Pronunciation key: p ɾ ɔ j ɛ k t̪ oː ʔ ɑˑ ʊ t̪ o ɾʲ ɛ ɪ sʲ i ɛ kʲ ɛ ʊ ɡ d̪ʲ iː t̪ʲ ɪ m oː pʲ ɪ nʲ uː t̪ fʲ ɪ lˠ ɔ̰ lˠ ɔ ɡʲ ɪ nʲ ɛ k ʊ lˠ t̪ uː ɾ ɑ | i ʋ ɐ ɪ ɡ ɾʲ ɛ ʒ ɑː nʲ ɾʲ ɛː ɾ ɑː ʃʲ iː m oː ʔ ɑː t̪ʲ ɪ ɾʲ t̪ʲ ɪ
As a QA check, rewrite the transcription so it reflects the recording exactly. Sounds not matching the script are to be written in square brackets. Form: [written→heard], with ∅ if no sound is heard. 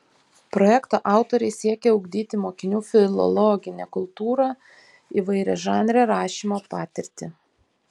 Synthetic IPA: p ɾ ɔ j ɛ k t̪ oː ʔ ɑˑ ʊ t̪ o ɾʲ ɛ ɪ sʲ i ɛ kʲ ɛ ʊ ɡ d̪ʲ iː t̪ʲ ɪ m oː [pʲ→kʲ] ɪ nʲ uː [t̪→∅] fʲ ɪ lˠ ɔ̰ lˠ ɔ ɡʲ ɪ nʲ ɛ k ʊ lˠ t̪ uː ɾ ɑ | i ʋ ɐ ɪ [ɡ→∅] ɾʲ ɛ ʒ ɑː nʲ ɾʲ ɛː ɾ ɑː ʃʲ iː m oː [ʔ→p] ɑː t̪ʲ ɪ ɾʲ t̪ʲ ɪ